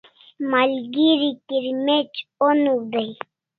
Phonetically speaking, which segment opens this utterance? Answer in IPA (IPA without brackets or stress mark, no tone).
m